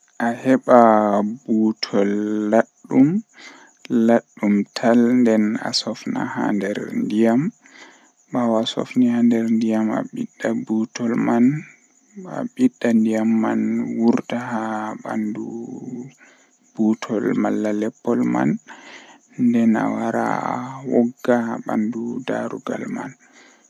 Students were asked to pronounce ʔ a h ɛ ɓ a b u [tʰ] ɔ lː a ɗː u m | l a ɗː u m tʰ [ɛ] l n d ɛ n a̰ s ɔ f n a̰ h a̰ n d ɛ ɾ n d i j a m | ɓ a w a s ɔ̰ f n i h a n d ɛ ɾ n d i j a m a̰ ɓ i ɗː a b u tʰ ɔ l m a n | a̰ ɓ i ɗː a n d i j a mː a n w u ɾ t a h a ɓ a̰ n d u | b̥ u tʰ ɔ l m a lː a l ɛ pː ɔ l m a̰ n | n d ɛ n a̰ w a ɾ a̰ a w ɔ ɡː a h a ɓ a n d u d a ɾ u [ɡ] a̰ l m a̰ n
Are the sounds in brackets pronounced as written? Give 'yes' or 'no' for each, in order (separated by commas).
yes, no, yes